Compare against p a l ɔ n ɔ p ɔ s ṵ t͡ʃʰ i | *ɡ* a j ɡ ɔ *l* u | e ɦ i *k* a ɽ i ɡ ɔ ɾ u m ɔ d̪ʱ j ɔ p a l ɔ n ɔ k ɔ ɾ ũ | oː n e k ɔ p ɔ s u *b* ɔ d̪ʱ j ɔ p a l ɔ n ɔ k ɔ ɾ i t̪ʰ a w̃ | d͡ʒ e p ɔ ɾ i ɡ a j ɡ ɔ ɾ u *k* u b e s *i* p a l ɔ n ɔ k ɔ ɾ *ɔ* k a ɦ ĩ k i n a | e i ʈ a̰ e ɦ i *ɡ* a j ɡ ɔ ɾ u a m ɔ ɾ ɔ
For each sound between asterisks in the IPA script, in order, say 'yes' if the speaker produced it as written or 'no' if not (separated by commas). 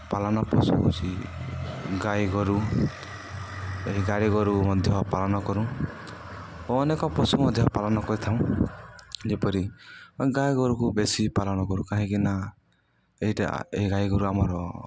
yes, no, no, no, yes, yes, no, yes